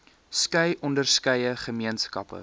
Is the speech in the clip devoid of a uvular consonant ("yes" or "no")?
no